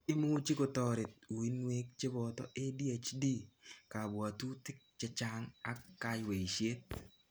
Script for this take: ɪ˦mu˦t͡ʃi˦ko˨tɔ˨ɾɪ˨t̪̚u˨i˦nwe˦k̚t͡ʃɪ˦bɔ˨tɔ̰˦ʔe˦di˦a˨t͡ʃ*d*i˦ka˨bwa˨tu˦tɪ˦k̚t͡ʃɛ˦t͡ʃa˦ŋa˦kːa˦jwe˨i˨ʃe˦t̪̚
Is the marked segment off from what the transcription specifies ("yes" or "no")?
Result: no